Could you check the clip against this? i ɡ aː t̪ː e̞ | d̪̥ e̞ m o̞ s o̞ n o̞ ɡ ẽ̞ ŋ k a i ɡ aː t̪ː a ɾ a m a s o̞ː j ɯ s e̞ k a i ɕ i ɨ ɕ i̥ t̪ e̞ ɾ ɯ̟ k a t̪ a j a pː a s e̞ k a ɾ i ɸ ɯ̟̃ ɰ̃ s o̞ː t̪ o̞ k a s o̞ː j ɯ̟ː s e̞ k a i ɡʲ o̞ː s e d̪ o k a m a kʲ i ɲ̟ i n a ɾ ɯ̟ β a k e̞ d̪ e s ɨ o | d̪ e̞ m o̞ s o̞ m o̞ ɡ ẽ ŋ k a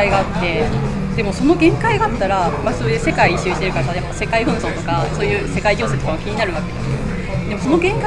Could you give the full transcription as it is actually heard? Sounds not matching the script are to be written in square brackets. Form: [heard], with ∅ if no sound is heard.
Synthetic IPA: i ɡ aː t̪ː e̞ | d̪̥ e̞ m o̞ s o̞ n o̞ ɡ ẽ̞ ŋ k a i ɡ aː t̪ː a ɾ a m a s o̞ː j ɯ s e̞ k a i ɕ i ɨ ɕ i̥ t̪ e̞ ɾ ɯ̟ k a t̪ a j a pː a s e̞ k a [∅] i ɸ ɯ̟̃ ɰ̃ s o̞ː t̪ o̞ k a s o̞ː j ɯ̟ː s e̞ k a i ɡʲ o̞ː s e [t̪] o k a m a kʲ i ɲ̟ i n a ɾ ɯ̟ β a k e̞ d̪ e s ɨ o | d̪ e̞ m o̞ s o̞ [n] o̞ ɡ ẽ ŋ k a

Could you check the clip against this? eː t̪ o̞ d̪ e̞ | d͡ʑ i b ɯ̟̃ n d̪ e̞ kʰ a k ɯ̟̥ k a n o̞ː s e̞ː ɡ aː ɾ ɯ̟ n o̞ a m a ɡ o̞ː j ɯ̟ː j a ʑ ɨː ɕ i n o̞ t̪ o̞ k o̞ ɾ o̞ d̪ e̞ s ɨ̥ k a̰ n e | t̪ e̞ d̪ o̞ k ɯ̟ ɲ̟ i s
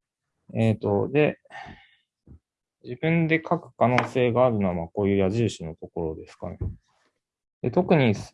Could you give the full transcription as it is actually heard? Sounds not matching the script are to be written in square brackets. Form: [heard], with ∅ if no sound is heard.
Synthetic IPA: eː t̪ o̞ d̪ e̞ | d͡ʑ i b ɯ̟̃ n d̪ e̞ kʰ a k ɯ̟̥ k a n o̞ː s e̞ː ɡ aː ɾ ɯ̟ n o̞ a m a [k] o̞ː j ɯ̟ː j a ʑ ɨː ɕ i n o̞ t̪ o̞ k o̞ ɾ o̞ d̪ e̞ s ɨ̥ k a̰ n e | [d̪] e̞ [t̪] o̞ k ɯ̟ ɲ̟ i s

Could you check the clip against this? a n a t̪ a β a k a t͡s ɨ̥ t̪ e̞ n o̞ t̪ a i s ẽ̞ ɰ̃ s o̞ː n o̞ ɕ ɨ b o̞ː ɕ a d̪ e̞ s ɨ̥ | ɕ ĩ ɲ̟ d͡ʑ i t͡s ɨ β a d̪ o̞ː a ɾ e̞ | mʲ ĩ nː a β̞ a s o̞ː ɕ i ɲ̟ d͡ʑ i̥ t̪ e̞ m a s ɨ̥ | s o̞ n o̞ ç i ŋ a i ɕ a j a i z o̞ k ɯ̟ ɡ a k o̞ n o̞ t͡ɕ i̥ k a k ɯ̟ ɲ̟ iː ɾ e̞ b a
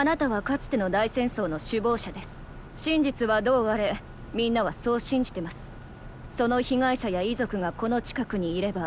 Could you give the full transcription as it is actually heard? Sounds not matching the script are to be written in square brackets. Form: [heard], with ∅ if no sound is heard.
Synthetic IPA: a n a t̪ a β a k a t͡s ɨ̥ t̪ e̞ n o̞ [d̪] a i s ẽ̞ ɰ̃ s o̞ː n o̞ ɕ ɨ b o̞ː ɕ a d̪ e̞ s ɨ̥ | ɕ ĩ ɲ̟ d͡ʑ i t͡s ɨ β a d̪ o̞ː a ɾ e̞ | mʲ ĩ nː a β̞ a s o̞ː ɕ [ĩ] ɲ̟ d͡ʑ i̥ t̪ e̞ m a s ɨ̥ | s o̞ n o̞ ç i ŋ a i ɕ a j a i z o̞ k ɯ̟ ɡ a k o̞ n o̞ t͡ɕ i̥ k a k ɯ̟ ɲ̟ iː ɾ e̞ b a

